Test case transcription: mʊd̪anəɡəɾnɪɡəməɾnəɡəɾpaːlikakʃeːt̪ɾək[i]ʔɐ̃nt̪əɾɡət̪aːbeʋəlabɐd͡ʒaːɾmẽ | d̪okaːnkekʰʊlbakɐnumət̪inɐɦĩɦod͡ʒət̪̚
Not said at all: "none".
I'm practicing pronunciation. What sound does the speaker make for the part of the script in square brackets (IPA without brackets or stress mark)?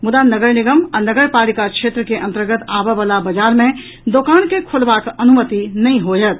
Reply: e